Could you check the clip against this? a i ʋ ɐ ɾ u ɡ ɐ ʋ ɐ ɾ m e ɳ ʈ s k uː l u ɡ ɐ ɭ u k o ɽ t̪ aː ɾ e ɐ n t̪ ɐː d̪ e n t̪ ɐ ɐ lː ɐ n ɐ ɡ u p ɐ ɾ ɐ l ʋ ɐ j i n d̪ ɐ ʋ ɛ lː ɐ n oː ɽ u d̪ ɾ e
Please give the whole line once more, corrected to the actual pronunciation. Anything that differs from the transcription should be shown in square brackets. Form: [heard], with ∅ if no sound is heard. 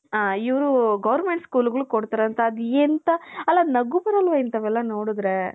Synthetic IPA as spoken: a i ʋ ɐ ɾ u ɡ ɐ ʋ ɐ ɾ m e ɳ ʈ s k uː l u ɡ ɐ ɭ u k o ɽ t̪ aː ɾ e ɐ n t̪ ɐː d̪ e n t̪ ɐ ɐ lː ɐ n ɐ ɡ u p ɐ ɾ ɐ l ʋ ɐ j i n [t̪] ɐ ʋ ɛ lː ɐ n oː ɽ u d̪ ɾ e